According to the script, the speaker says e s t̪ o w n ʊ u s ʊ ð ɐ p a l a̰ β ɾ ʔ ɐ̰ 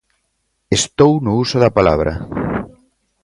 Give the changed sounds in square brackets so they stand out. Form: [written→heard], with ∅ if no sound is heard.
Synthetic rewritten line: e s t̪ o w n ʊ u s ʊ ð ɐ p a l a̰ β ɾ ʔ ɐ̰